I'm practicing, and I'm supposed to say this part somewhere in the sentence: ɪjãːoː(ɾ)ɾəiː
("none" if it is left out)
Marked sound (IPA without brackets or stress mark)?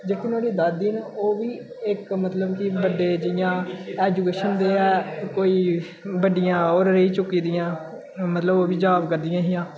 ɾ